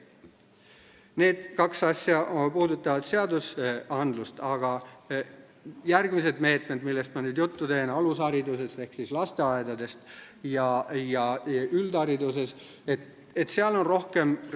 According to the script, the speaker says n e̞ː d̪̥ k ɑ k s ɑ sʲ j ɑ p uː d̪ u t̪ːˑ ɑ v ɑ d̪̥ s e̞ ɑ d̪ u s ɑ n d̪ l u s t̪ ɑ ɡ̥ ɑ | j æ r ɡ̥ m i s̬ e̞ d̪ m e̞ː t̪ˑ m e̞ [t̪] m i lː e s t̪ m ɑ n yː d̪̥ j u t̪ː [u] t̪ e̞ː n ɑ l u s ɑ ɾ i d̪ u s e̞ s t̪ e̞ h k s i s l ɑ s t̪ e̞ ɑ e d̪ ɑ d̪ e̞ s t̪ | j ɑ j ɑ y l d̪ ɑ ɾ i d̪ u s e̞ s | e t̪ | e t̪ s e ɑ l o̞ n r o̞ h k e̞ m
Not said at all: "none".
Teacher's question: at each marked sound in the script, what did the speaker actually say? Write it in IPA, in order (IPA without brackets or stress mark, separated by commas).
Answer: d̪, u